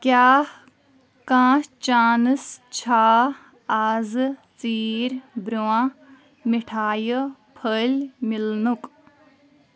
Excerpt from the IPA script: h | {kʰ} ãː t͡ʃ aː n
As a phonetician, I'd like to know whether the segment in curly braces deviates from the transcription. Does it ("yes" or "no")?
yes